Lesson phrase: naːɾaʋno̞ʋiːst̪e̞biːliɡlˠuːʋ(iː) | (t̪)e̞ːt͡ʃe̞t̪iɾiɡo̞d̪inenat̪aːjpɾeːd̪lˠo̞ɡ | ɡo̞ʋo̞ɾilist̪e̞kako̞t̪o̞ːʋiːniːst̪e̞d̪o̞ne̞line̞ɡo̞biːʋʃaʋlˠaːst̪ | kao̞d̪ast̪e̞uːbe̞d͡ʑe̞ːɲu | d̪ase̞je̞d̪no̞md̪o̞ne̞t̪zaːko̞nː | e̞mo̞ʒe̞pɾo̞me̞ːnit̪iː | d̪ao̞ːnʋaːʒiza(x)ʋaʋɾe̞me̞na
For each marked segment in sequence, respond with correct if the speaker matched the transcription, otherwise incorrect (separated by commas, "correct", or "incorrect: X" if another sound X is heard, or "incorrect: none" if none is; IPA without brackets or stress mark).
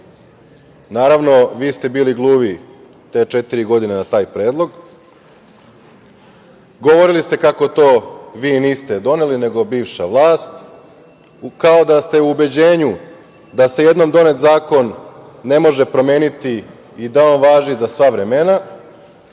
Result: incorrect: i, correct, incorrect: s